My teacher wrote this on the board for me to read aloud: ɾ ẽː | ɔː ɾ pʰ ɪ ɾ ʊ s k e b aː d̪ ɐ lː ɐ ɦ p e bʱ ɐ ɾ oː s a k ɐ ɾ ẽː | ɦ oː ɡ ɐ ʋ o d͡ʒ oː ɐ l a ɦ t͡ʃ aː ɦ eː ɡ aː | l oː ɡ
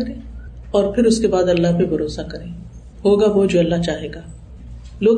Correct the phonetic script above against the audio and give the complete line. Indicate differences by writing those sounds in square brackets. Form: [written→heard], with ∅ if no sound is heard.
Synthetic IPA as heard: ɾ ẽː | ɔː ɾ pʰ ɪ ɾ ʊ s k e b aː d̪ ɐ lː [ɐ→a] ɦ p e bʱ ɐ ɾ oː s a k ɐ ɾ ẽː | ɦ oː ɡ [ɐ→a] ʋ o d͡ʒ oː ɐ [l→lː] a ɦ t͡ʃ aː ɦ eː ɡ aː | l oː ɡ